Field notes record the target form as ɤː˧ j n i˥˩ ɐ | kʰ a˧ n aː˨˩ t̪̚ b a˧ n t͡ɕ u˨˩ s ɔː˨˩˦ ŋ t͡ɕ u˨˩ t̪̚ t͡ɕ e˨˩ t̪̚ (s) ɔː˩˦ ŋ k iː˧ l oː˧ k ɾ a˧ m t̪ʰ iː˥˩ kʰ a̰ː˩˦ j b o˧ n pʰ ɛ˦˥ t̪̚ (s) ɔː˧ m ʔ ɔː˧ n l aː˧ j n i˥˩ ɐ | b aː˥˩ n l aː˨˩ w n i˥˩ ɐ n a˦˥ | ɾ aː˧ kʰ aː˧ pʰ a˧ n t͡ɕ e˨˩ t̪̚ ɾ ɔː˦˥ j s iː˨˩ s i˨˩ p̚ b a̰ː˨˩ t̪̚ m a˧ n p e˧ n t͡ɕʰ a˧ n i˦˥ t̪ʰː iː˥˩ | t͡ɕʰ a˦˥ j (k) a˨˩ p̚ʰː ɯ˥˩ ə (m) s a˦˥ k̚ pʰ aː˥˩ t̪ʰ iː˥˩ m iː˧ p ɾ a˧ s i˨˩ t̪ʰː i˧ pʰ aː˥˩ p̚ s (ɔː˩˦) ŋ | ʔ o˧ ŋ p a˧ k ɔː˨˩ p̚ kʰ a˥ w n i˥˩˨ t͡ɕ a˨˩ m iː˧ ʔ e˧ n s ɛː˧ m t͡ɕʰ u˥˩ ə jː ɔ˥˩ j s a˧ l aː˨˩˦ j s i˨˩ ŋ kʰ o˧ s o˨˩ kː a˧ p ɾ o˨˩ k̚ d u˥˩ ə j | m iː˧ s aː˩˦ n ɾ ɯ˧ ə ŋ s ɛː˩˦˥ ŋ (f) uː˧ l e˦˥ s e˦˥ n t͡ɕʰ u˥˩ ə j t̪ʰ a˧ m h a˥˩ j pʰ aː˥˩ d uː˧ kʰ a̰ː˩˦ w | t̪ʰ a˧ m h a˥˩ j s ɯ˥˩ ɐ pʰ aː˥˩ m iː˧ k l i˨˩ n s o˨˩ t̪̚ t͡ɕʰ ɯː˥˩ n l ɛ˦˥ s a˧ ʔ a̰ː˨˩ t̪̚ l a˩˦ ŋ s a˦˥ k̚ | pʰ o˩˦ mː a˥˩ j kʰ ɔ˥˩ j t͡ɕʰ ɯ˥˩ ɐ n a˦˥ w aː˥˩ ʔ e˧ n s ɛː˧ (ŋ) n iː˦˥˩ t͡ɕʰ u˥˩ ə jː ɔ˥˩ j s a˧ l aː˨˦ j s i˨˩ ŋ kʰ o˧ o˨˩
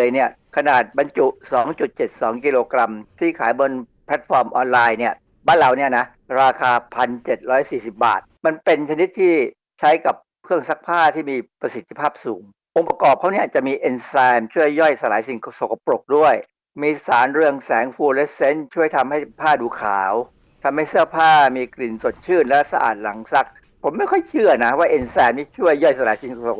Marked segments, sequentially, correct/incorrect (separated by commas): correct, incorrect, correct, incorrect, incorrect, correct, incorrect